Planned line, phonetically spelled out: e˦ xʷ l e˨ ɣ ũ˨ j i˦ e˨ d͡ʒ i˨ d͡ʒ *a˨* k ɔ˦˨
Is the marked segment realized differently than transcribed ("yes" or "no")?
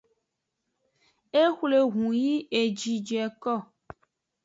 yes